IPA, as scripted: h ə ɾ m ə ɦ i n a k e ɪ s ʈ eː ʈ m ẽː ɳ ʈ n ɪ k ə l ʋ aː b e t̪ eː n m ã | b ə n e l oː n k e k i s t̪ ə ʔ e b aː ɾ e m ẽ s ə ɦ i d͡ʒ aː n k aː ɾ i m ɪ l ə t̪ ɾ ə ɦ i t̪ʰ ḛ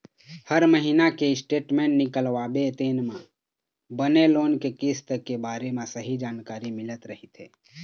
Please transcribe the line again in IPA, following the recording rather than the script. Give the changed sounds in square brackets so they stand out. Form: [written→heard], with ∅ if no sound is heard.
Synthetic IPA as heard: h ə ɾ m ə ɦ i n a k e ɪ s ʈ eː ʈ m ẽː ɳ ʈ n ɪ k ə l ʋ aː b e t̪ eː n m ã | b ə n e l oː n k e k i s t̪ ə [ʔ→k] e b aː ɾ e m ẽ s ə ɦ i d͡ʒ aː n k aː ɾ i m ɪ l ə t̪ ɾ ə ɦ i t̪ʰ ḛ